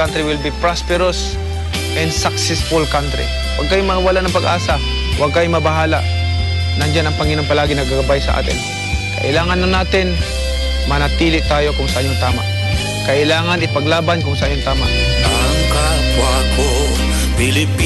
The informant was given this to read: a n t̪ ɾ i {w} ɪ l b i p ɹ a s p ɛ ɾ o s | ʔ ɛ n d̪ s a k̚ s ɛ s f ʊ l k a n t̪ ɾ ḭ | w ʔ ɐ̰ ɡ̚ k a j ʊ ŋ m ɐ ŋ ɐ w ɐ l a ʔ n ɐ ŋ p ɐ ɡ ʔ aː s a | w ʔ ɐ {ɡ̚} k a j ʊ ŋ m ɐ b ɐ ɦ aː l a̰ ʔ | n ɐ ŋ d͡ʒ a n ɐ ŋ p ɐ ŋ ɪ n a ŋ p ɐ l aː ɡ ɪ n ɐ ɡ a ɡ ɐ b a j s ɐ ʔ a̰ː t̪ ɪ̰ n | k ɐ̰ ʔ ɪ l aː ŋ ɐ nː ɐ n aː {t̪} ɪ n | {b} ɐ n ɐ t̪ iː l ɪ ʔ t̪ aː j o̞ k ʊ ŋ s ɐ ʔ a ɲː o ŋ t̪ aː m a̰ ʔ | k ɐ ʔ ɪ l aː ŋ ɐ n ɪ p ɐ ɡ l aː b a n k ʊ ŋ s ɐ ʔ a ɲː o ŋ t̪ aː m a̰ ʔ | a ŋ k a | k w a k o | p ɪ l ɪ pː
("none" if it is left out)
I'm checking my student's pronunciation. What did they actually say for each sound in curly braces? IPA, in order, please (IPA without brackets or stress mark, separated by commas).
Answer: w, ɡ̚, t̪, m